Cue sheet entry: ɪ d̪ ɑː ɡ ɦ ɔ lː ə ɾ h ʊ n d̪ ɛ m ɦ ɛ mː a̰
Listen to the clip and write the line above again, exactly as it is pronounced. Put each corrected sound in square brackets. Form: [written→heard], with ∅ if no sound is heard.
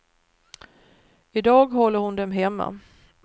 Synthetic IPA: ɪ d̪ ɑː ɡ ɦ ɔ lː ə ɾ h ʊ n d̪ ɛ m ɦ ɛ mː a̰